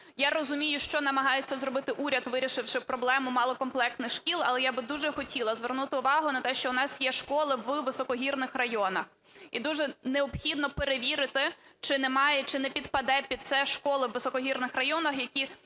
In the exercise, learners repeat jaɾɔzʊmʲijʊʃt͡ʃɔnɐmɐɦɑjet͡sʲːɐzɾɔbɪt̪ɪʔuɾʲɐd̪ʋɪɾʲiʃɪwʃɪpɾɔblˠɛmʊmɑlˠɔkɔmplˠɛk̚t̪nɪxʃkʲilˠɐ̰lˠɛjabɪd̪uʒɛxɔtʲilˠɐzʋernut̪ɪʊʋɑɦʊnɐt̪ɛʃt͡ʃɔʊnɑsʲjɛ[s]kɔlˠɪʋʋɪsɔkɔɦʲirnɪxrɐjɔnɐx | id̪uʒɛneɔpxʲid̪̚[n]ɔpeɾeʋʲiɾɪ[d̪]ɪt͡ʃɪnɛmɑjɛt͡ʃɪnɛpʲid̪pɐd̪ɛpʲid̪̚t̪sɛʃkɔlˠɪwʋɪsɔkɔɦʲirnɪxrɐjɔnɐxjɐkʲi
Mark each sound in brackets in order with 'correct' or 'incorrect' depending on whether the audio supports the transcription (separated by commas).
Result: incorrect, correct, incorrect